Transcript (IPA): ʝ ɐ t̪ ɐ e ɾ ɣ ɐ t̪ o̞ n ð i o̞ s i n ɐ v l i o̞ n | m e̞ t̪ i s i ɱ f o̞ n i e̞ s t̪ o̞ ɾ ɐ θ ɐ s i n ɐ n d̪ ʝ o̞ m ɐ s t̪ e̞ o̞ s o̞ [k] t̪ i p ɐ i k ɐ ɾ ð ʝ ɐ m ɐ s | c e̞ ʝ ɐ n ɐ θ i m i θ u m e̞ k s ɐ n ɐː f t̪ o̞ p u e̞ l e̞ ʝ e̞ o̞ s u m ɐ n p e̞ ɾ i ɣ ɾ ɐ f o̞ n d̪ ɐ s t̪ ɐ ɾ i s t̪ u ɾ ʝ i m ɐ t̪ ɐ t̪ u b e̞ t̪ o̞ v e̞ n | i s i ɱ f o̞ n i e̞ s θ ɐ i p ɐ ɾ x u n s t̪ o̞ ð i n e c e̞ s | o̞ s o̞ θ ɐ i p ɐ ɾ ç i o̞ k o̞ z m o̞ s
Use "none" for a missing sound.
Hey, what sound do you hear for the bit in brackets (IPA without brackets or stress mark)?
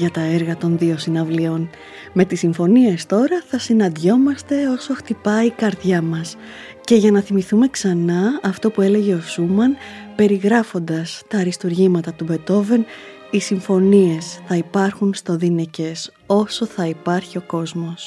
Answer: x